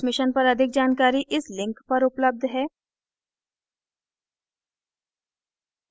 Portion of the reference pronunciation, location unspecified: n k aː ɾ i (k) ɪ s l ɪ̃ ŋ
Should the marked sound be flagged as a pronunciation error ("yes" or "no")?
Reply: yes